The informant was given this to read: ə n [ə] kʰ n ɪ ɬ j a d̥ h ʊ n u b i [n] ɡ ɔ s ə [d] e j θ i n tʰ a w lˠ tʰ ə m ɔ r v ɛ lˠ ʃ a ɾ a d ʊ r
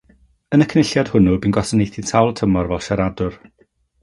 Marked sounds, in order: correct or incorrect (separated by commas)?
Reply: correct, correct, incorrect